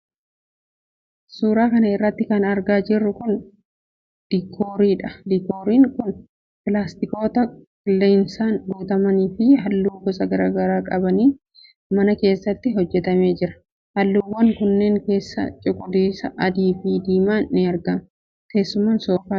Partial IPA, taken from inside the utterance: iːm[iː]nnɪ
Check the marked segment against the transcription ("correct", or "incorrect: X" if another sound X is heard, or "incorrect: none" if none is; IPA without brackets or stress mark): incorrect: aː